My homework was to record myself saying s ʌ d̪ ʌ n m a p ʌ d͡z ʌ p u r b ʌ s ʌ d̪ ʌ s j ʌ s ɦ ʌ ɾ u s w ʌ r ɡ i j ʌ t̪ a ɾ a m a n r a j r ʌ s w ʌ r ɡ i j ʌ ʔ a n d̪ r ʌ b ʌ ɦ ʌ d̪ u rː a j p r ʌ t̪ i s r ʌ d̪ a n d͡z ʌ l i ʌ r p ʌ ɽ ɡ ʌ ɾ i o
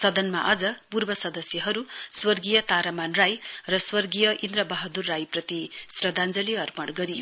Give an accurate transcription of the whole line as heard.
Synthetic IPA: s ʌ d̪ ʌ n m a ʔ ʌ d͡z ʌ p u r b ʌ s ʌ d̪ ʌ s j ʌ ɦ ʌ ɾ u s w ʌ r ɡ i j ʌ t̪ a ɾ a m a n r a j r ʌ s w ʌ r ɡ i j ʌ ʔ i n d̪ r ʌ b ʌ ɦ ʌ d̪ u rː a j p r ʌ t̪ i s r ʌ d̪ a n d͡z ʌ l i ʌ r p ʌ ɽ ɡ ʌ ɾ i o